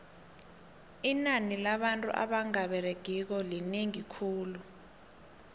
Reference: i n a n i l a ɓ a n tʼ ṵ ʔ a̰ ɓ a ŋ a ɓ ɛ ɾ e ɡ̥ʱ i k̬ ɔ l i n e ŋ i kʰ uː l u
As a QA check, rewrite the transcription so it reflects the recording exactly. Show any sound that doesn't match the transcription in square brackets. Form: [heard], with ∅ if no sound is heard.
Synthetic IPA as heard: i n a n i l a ɓ a n tʼ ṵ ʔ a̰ ɓ a ŋ a ɓ ɛ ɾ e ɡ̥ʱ i k̬ ɔ l i n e ŋ i kʰ uː l u